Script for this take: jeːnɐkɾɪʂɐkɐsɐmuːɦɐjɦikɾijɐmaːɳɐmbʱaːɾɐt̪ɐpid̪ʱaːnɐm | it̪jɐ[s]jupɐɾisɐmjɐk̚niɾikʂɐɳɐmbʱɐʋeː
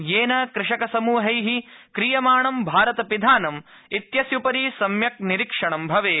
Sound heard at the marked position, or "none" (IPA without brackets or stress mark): s